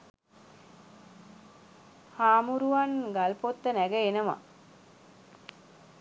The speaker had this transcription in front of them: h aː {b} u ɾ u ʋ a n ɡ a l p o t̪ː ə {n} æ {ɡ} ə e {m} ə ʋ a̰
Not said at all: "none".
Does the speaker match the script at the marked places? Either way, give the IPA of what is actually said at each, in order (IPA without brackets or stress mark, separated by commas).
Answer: m, n, ɡ, n